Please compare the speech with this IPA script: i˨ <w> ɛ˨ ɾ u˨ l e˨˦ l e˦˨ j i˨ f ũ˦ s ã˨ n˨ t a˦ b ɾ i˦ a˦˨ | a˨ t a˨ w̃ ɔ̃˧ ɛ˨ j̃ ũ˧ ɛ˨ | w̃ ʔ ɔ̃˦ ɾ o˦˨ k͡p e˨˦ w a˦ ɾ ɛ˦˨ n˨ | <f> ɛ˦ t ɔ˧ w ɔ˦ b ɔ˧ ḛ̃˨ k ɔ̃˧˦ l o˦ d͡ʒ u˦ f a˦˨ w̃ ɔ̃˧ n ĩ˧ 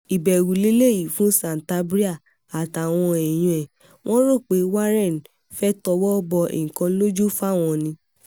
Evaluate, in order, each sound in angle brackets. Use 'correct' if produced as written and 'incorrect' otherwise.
incorrect: b, correct

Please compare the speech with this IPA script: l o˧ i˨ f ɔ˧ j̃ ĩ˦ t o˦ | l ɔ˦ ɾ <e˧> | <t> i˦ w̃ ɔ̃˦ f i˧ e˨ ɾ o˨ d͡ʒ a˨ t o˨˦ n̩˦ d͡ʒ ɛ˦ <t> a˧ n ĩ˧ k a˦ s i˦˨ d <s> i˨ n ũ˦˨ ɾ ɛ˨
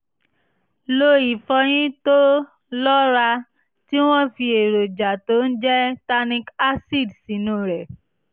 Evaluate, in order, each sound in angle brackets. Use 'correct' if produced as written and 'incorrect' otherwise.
incorrect: a˧, correct, correct, correct

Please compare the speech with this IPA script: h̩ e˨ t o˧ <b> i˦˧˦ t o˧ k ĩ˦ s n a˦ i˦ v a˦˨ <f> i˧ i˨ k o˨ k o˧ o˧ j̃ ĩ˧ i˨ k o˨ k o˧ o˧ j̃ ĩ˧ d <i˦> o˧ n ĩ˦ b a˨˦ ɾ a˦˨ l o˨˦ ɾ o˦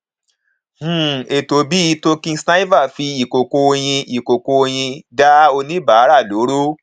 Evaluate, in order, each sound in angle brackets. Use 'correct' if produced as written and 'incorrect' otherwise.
correct, correct, incorrect: a˦

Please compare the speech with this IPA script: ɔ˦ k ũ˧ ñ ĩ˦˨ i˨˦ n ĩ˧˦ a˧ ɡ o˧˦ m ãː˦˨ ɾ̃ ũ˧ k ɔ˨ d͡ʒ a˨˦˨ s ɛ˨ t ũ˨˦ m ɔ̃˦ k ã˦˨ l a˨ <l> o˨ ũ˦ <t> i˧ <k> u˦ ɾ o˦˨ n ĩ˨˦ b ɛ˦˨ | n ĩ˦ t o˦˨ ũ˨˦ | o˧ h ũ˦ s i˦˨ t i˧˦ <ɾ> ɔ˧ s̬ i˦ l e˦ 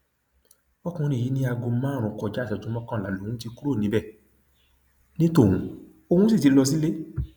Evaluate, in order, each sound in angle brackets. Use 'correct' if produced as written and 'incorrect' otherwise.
correct, correct, correct, incorrect: l

